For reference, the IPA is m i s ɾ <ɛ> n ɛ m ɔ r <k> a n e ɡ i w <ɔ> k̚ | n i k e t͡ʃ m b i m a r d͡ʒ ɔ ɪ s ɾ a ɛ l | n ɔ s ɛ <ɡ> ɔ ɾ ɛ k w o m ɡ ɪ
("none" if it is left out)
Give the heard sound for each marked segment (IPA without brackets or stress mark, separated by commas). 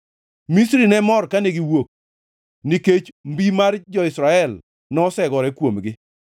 i, k, o, ɡ